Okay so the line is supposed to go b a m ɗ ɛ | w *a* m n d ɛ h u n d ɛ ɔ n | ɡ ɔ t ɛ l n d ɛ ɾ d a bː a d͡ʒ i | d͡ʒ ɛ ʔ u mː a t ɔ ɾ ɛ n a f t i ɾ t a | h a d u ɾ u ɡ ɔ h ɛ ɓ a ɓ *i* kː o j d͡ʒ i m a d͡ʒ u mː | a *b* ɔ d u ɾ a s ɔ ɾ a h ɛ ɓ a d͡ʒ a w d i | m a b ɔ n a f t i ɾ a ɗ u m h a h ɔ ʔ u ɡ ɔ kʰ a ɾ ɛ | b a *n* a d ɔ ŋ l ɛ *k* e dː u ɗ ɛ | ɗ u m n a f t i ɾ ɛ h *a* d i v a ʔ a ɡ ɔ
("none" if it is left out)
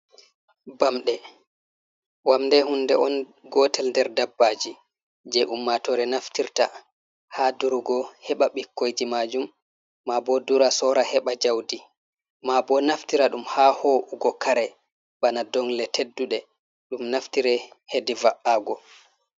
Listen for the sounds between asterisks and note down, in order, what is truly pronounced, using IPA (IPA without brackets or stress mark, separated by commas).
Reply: a, i, b, n, t, e